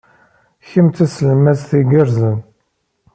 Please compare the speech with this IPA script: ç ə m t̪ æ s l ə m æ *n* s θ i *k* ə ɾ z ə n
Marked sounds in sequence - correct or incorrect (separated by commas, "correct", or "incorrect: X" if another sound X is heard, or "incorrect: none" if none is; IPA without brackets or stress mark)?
incorrect: none, incorrect: ɡ